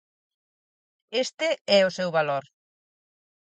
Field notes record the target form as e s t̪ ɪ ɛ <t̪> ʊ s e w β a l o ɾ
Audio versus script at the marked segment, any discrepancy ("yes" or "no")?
yes